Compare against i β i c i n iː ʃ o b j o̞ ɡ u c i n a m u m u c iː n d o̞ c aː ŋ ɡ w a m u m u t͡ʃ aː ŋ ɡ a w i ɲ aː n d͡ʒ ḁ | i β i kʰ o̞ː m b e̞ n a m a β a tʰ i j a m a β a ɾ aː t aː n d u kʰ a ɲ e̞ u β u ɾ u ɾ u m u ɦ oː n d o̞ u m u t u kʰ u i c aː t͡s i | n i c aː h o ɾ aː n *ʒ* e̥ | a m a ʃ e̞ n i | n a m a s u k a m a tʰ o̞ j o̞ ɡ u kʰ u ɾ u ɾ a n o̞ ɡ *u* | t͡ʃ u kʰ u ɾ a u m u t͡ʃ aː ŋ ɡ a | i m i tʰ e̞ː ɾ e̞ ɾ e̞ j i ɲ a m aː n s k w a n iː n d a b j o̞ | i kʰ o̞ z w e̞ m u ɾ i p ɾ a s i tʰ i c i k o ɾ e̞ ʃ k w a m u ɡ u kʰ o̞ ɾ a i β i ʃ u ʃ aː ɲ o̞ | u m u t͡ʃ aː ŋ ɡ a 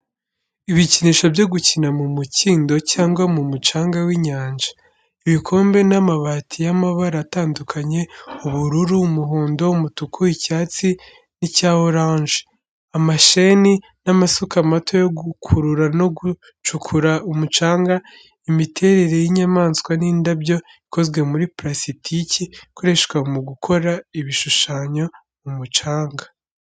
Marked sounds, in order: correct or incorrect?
correct, correct

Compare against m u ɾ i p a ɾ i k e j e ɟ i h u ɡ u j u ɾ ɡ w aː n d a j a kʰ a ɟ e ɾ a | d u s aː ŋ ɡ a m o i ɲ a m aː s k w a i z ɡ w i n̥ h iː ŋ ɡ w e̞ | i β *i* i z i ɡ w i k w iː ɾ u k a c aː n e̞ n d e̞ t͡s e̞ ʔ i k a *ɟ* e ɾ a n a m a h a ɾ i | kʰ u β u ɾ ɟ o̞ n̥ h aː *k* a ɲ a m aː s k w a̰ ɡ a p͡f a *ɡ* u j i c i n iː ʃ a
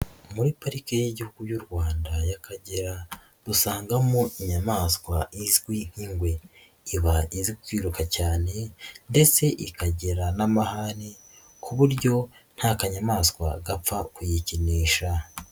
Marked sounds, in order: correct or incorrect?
incorrect, correct, correct, incorrect

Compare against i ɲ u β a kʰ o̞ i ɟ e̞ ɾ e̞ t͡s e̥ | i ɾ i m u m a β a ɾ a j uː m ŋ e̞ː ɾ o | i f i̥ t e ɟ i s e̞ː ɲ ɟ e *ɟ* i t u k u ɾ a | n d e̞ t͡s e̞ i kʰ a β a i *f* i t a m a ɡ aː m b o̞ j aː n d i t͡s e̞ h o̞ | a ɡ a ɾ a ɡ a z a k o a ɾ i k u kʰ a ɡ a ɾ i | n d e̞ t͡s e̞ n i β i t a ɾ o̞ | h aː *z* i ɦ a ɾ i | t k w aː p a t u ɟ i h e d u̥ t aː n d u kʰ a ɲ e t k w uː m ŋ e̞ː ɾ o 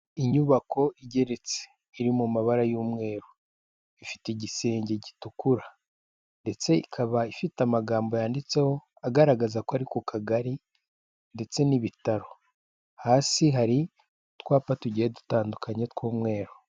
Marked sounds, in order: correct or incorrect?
correct, correct, incorrect

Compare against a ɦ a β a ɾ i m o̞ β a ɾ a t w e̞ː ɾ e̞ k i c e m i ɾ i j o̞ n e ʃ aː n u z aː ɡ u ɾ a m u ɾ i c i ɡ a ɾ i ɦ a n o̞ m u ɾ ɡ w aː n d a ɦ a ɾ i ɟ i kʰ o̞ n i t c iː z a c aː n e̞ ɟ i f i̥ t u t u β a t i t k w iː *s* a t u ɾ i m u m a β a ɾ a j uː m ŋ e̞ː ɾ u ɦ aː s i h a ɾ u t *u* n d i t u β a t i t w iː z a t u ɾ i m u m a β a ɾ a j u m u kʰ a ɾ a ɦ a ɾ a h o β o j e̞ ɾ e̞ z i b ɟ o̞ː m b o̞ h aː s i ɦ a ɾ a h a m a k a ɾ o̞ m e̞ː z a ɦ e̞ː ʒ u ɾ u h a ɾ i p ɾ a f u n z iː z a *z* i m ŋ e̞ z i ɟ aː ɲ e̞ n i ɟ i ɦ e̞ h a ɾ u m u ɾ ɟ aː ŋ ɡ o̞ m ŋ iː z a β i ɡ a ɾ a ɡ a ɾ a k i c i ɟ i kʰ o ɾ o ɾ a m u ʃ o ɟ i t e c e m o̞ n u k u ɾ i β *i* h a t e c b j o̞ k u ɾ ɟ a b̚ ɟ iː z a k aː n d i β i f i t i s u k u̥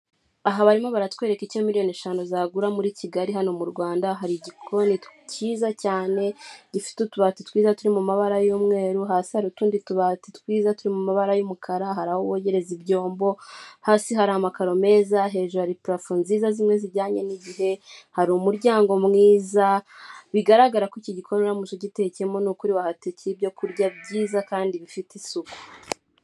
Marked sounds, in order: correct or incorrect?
incorrect, incorrect, correct, incorrect

